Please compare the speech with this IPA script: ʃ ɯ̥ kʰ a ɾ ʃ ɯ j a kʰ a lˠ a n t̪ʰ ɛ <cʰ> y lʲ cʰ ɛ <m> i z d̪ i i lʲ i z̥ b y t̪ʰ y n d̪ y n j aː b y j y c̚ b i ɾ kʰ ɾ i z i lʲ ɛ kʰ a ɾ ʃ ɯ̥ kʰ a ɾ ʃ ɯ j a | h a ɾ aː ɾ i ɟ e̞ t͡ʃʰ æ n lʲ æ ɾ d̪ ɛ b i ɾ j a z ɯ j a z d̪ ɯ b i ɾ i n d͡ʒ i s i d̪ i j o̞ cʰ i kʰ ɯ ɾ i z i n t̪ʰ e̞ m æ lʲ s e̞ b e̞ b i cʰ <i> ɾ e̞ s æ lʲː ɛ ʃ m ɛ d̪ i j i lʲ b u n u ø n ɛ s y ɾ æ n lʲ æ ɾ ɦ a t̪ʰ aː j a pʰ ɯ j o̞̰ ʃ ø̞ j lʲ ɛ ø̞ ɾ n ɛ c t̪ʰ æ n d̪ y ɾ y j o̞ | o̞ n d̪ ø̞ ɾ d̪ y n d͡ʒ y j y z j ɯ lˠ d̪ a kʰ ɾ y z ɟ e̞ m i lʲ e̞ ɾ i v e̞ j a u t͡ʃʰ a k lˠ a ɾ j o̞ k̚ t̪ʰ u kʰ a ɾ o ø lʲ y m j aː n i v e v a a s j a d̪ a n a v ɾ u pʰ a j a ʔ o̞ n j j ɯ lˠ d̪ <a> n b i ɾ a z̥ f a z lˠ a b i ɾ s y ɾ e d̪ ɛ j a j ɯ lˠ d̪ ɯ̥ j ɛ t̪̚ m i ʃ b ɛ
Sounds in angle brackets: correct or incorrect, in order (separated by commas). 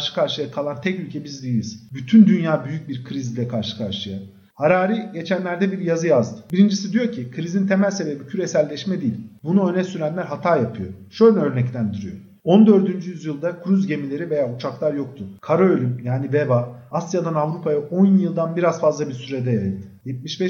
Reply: incorrect, incorrect, incorrect, correct